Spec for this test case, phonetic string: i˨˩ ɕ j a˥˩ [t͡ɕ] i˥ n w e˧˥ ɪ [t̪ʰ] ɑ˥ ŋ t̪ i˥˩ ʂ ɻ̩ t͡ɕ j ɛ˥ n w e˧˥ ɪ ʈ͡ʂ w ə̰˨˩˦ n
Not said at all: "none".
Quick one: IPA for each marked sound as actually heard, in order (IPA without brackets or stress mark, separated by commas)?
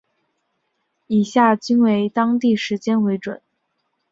t͡ɕ, t̪